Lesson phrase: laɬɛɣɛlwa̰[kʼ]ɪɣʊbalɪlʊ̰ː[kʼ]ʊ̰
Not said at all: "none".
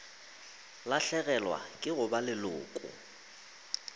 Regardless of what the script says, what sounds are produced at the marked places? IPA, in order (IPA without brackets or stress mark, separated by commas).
kʼ, kʼ